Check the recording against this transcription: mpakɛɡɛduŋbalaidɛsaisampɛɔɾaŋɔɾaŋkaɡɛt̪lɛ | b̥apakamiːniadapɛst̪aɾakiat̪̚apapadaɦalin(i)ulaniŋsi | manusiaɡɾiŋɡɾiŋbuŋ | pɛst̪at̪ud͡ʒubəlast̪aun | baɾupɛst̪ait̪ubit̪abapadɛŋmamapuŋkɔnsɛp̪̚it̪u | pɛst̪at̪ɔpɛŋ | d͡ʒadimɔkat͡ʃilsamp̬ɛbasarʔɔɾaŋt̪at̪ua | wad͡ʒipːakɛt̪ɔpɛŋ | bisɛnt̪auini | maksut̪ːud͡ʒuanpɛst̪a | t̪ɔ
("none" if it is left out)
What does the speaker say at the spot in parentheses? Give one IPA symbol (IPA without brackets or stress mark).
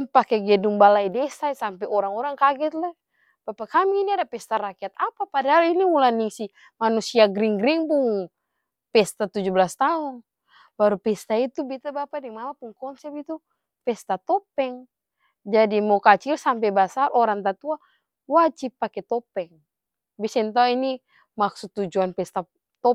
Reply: i